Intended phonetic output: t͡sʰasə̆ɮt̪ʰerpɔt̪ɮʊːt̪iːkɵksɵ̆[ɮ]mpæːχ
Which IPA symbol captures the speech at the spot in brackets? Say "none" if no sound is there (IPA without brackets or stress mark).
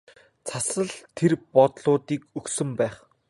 none